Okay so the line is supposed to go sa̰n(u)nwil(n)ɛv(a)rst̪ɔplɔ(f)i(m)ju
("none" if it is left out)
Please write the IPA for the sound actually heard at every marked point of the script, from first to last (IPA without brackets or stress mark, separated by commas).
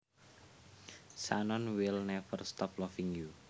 ɔ, n, ə, f, ŋ